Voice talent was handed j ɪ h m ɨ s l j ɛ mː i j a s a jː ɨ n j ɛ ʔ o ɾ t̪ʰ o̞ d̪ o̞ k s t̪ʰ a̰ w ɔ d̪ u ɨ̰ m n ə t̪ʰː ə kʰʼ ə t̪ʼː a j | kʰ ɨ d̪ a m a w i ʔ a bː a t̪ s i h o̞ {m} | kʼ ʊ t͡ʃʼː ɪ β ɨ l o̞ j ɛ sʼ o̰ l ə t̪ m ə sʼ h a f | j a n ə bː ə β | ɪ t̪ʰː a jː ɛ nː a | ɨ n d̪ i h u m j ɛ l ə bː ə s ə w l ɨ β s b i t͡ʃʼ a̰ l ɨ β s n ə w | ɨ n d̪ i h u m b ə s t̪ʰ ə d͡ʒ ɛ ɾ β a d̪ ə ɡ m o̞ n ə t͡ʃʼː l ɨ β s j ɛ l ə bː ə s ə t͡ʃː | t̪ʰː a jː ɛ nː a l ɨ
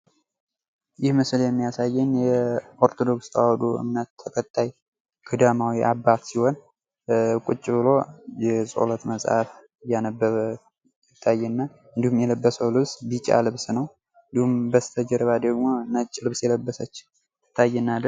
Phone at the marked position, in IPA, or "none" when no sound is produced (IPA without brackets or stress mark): n